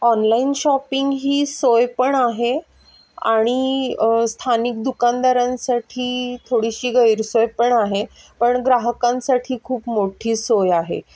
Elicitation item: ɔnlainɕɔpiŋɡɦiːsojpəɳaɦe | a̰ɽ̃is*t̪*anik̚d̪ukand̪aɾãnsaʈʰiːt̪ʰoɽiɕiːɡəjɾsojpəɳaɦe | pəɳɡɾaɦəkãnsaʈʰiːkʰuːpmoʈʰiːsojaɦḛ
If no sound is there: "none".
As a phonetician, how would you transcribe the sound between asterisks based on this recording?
t̪ʰ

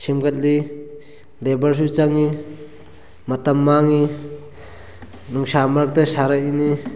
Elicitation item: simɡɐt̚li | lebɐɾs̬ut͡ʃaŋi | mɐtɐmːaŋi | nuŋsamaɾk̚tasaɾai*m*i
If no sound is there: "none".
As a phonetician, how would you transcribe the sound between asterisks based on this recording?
n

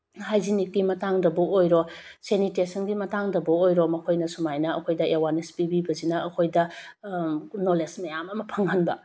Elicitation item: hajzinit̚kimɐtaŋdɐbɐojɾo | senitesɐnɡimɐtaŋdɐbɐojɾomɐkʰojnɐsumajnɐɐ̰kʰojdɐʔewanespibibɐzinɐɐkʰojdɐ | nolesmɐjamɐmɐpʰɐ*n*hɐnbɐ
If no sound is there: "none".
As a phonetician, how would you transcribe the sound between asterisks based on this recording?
ŋ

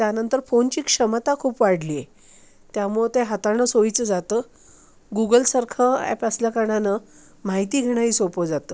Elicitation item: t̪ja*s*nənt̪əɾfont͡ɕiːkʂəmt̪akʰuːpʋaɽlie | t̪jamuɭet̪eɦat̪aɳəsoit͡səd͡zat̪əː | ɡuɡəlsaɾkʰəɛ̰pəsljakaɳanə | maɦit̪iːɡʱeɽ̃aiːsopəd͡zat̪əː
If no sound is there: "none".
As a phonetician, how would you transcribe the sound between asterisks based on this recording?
none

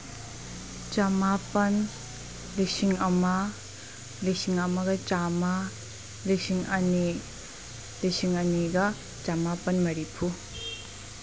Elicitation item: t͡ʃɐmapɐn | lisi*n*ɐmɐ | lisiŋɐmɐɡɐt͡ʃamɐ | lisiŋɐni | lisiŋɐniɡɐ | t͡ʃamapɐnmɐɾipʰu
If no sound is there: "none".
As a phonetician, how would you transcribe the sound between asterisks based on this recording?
ŋ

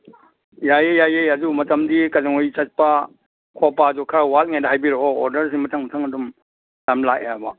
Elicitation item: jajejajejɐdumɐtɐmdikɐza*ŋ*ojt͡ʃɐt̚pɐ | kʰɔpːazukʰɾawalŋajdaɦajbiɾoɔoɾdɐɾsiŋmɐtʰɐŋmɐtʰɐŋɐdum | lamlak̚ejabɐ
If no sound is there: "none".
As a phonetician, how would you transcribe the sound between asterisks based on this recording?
ŋ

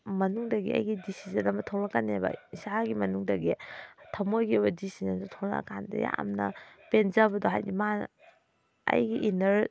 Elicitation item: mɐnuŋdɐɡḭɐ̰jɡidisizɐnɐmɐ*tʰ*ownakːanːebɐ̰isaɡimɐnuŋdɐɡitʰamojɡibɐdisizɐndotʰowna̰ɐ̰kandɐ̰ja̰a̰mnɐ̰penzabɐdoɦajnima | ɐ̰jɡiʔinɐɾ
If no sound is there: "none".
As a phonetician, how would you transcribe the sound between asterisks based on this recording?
tʰ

